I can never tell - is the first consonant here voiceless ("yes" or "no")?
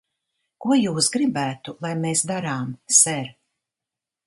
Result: yes